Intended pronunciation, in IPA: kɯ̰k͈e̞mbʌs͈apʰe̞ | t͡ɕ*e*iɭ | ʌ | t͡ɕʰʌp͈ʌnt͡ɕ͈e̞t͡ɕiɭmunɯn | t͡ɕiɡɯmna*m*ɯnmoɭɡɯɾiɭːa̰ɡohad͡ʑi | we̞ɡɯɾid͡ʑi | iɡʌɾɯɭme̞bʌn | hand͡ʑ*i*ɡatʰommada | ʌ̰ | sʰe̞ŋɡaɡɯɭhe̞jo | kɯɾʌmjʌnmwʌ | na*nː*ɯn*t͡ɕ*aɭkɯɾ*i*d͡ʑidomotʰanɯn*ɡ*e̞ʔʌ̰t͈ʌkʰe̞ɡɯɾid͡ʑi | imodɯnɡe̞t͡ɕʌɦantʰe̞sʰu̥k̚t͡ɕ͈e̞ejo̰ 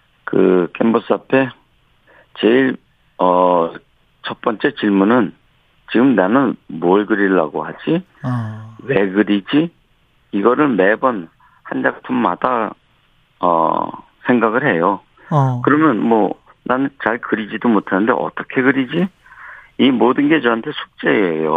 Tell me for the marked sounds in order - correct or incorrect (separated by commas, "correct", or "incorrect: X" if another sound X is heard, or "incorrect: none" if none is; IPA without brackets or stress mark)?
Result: correct, incorrect: n, incorrect: a, incorrect: n, correct, correct, incorrect: d